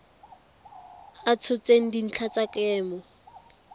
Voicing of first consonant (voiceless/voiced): voiceless